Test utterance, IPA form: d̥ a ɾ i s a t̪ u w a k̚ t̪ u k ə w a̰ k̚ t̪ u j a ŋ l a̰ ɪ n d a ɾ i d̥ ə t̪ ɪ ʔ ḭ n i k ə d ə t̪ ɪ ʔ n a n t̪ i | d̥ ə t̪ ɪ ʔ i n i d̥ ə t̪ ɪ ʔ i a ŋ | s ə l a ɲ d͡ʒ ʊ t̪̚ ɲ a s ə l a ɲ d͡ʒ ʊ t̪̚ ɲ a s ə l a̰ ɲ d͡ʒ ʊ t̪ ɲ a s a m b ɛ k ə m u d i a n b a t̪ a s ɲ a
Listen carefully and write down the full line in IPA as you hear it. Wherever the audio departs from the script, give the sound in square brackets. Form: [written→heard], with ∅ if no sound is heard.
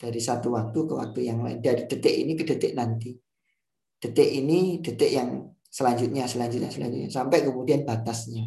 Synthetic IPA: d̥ a ɾ i s a t̪ u w a k̚ t̪ u k ə w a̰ k̚ t̪ u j a ŋ l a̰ ɪ n d a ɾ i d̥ ə t̪ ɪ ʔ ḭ n i k ə d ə t̪ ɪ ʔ n a n t̪ i | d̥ ə t̪ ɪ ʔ i n i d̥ ə t̪ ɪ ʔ [i→j] a ŋ | s ə l a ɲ d͡ʒ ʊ t̪̚ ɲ a s ə l a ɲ d͡ʒ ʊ t̪̚ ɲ a s ə l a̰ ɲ d͡ʒ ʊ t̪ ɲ a s a m [b→p] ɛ k ə m u d i a n b a t̪ a s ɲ a